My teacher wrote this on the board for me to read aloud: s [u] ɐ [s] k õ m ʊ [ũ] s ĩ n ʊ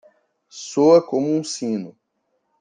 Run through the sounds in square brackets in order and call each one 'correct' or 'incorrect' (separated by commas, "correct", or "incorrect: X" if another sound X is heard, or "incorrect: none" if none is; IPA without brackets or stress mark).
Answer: incorrect: o, incorrect: none, correct